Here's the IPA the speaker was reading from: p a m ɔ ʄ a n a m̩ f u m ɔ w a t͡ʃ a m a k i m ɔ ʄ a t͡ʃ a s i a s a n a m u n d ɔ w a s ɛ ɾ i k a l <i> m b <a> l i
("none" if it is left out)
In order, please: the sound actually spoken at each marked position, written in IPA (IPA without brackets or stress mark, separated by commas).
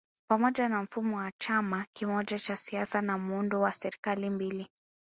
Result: i, i